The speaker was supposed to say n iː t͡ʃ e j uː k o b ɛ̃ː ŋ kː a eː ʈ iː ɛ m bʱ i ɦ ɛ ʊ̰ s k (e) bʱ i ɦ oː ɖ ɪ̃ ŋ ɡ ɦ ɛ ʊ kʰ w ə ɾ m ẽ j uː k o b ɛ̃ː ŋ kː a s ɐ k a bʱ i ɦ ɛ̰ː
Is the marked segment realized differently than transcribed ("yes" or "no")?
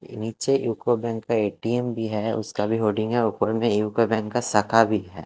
yes